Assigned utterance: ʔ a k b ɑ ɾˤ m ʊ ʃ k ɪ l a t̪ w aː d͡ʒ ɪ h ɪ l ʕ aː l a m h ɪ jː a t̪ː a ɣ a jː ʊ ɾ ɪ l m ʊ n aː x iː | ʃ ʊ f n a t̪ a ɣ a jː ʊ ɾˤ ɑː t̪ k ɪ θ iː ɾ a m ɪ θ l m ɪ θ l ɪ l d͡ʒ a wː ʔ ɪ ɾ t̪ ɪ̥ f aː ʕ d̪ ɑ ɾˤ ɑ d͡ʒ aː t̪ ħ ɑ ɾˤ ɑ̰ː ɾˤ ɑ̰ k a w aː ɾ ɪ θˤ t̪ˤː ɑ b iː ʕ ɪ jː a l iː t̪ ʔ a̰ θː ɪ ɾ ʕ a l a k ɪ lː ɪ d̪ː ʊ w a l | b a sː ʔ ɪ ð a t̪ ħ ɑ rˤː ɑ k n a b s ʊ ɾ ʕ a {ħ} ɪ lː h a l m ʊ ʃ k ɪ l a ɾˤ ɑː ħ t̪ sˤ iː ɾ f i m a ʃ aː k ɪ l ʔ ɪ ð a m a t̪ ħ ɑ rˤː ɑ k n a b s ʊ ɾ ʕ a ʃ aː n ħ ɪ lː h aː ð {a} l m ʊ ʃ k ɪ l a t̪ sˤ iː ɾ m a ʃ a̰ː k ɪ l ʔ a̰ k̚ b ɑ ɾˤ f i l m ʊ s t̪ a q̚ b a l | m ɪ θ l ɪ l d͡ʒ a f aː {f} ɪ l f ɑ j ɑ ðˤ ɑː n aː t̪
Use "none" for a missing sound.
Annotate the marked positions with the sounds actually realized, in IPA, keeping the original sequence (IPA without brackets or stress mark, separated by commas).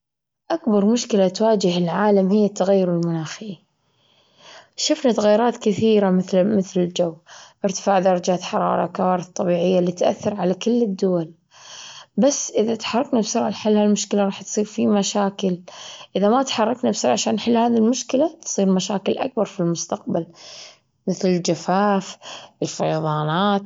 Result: ħ, i, f